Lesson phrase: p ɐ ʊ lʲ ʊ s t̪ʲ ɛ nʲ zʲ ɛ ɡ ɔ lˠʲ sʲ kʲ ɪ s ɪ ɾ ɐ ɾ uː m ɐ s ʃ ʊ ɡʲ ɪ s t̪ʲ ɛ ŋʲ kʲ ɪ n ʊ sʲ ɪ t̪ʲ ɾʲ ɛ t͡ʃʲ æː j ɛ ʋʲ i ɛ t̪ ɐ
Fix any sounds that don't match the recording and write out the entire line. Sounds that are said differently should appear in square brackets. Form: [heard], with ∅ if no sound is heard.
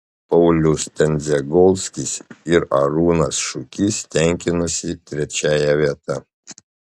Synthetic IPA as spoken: p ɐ ʊ lʲ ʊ s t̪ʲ ɛ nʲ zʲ ɛ ɡ ɔ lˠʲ sʲ kʲ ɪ s ɪ ɾ ɐ ɾ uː [n] ɐ s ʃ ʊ [kʲ] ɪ s t̪ʲ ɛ ŋʲ kʲ ɪ n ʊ sʲ ɪ t̪ʲ ɾʲ ɛ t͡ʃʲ æː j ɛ ʋʲ i ɛ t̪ ɐ